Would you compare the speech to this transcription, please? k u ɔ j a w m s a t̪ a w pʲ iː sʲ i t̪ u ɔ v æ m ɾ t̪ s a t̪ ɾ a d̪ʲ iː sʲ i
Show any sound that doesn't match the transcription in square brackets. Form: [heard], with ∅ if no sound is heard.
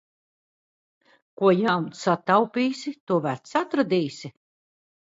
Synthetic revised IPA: k u ɔ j a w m s a t̪ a w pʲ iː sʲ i t̪ u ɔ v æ [∅] ɾ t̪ s a t̪ ɾ a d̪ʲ iː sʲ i